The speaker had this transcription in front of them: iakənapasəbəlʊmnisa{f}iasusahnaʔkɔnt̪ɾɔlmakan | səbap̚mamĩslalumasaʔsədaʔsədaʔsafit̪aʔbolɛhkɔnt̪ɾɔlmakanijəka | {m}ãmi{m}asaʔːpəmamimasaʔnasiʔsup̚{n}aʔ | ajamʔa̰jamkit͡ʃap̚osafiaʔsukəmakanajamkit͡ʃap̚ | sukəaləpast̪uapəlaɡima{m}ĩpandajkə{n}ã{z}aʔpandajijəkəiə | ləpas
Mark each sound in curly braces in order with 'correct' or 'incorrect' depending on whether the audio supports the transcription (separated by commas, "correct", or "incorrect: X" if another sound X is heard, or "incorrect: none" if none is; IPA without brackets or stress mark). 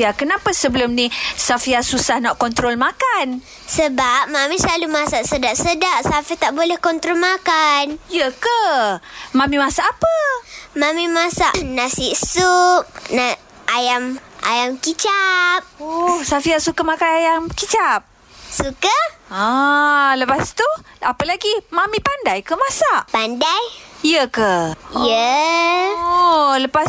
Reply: correct, correct, correct, correct, correct, incorrect: m, incorrect: s